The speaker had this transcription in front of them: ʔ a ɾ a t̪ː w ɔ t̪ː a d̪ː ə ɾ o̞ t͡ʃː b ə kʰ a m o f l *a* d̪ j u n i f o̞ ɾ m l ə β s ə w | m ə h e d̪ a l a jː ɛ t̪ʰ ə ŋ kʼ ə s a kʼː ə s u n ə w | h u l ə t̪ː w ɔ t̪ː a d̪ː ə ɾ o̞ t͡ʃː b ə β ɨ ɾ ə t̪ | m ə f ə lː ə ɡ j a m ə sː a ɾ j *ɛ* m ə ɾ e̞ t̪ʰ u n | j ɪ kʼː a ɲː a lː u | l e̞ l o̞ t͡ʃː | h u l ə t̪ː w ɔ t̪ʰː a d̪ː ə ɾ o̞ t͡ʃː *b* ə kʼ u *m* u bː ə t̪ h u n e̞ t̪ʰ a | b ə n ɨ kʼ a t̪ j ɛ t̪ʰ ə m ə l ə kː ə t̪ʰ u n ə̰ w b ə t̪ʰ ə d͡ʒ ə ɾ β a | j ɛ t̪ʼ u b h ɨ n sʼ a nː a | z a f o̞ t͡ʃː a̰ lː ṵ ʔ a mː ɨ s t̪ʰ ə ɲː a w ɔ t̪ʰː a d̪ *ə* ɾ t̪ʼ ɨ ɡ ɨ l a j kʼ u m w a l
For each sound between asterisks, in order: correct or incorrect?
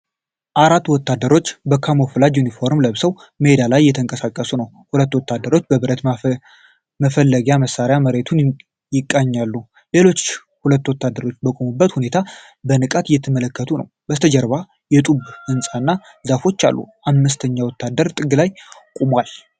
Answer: correct, incorrect: a, correct, correct, correct

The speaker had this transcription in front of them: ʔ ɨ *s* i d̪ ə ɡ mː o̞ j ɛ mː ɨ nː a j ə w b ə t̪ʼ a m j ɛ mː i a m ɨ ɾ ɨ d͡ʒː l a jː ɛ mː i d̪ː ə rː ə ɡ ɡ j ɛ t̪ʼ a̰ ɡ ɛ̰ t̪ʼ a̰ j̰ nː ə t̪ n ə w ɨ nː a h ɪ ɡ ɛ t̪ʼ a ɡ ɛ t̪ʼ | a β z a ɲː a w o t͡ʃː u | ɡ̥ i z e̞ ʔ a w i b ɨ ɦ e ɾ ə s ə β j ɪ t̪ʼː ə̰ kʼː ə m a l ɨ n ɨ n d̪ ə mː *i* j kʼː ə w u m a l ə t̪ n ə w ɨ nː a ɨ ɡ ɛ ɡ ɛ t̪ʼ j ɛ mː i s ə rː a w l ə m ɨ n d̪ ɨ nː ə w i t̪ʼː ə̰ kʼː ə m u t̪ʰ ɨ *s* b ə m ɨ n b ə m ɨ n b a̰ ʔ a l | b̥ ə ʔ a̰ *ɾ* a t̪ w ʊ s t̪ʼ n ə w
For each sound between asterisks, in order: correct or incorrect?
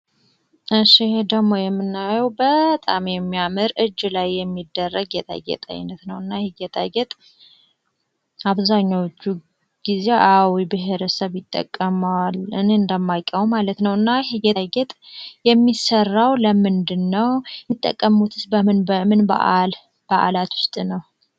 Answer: incorrect: ʃ, incorrect: a, correct, incorrect: l

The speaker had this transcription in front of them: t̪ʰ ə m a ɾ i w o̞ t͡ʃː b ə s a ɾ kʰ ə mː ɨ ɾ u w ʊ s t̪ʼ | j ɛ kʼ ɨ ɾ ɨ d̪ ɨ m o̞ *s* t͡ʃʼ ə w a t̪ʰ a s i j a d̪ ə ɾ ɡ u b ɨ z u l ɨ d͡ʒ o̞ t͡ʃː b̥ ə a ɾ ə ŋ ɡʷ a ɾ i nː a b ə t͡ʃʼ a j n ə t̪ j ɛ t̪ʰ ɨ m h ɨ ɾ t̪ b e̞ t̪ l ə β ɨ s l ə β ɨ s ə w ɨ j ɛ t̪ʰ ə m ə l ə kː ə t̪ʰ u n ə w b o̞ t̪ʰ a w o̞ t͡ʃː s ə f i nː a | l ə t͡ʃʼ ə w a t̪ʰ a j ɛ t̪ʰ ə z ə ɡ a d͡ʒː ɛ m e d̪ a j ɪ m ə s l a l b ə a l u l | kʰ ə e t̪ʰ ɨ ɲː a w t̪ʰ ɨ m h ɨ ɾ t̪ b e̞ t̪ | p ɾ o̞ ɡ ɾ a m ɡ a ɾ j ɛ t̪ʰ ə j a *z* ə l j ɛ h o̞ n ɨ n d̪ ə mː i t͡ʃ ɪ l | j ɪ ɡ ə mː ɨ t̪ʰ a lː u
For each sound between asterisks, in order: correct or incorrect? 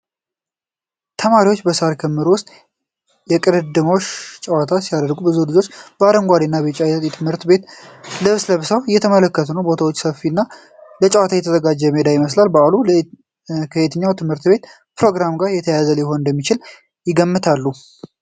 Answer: incorrect: ʃ, correct

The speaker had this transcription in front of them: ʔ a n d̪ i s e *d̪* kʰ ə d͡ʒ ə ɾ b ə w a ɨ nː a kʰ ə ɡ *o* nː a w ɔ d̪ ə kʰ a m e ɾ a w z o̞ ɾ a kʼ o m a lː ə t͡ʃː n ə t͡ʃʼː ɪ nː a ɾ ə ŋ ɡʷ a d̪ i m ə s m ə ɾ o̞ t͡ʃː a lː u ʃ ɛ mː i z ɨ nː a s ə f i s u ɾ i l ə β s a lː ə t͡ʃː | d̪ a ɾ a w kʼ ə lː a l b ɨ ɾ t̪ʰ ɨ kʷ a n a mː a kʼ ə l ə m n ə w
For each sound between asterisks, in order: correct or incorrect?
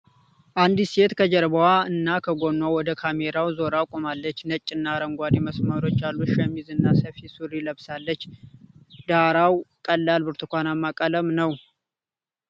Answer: incorrect: t̪, correct

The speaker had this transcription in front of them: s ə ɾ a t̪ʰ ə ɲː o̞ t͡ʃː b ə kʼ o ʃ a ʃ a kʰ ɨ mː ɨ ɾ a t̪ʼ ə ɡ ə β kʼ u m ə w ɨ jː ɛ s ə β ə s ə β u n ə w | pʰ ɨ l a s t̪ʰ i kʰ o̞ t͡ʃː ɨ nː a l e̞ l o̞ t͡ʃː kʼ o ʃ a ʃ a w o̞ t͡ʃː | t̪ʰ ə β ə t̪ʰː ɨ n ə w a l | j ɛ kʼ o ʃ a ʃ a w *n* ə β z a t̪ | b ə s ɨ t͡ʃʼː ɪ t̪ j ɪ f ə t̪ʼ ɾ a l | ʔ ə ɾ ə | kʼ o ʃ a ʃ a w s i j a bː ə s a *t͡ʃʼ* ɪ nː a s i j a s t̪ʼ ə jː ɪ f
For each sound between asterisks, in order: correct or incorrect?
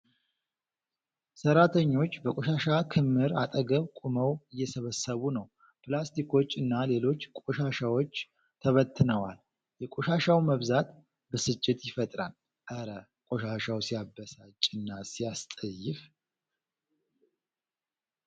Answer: incorrect: m, correct

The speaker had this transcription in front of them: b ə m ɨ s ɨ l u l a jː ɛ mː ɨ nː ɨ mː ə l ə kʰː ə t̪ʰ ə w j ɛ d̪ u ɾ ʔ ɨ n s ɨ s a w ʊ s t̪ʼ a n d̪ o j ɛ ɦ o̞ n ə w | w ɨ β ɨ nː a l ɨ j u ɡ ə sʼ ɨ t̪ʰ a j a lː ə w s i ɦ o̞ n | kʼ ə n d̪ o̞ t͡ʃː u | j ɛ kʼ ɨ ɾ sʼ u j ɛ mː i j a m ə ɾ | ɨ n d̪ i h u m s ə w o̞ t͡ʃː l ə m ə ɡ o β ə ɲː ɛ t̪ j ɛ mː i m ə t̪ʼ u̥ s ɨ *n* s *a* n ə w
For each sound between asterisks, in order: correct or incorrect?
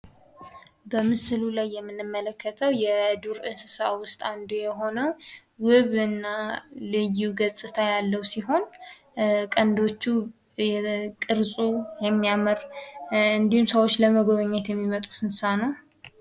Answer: correct, correct

